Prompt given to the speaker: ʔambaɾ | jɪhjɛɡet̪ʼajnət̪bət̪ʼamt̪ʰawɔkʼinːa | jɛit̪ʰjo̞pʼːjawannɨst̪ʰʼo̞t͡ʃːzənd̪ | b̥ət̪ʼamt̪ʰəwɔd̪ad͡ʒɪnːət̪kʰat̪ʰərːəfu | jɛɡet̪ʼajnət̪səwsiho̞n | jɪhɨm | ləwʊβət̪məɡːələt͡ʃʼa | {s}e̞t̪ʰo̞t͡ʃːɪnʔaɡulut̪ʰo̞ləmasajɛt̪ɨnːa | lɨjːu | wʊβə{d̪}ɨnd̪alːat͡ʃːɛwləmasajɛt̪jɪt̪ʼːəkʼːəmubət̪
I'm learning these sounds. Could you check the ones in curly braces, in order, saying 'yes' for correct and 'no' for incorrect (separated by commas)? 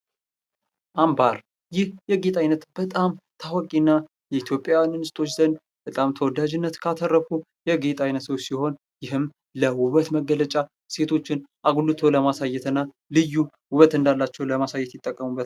yes, no